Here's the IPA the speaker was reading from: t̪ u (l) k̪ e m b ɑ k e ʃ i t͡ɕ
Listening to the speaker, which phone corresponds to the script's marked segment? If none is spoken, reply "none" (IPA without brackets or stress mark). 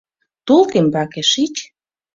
l